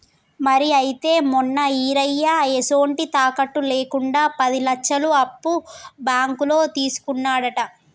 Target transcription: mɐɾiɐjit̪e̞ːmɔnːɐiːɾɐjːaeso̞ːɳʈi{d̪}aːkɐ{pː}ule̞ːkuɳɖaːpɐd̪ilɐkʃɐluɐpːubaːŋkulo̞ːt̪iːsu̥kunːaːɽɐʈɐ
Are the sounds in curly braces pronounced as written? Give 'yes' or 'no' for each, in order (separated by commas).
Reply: no, no